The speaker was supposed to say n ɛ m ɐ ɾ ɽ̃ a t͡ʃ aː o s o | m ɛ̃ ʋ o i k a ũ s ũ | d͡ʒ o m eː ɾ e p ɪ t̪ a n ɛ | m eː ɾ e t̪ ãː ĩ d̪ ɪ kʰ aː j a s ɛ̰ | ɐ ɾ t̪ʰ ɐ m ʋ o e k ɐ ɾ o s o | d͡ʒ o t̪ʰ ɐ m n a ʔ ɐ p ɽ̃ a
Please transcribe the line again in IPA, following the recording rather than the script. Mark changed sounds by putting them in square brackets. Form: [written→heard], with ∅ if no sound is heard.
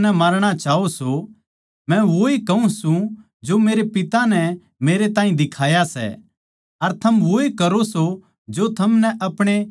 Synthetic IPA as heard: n ɛ m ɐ ɾ ɽ̃ a t͡ʃ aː o s o | m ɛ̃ ʋ o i k [a→ɐ] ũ s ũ | d͡ʒ o m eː ɾ e p ɪ t̪ a n ɛ | m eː ɾ e t̪ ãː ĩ d̪ ɪ kʰ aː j a s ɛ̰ | ɐ ɾ t̪ʰ ɐ m ʋ o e k ɐ ɾ o s o | d͡ʒ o t̪ʰ ɐ m n [a→ɛ] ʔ ɐ p ɽ̃ [a→e]